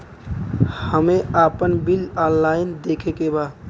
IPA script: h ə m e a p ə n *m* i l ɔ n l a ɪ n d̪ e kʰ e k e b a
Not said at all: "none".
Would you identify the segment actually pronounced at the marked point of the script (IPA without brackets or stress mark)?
b